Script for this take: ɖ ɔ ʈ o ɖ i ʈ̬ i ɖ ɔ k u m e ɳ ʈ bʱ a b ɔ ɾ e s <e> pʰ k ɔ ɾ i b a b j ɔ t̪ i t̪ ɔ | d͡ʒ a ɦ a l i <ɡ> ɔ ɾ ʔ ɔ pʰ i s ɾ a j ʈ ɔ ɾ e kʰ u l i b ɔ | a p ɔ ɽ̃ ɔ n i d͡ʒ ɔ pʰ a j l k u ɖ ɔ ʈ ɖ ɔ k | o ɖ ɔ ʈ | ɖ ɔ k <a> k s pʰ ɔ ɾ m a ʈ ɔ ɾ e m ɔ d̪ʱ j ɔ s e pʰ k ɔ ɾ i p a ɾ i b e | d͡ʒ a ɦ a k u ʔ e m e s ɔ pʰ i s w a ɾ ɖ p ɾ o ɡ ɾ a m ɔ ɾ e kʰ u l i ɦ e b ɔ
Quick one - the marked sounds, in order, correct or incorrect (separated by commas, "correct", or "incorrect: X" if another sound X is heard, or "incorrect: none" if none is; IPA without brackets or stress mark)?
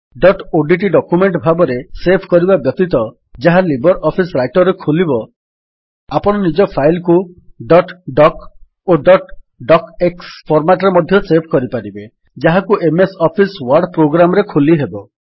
correct, incorrect: b, incorrect: e